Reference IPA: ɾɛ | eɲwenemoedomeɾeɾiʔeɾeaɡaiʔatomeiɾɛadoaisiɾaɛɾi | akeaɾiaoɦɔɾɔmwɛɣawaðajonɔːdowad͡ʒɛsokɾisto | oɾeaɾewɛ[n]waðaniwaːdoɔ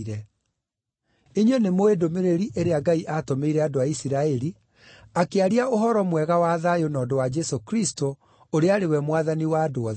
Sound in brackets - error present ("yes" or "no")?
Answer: yes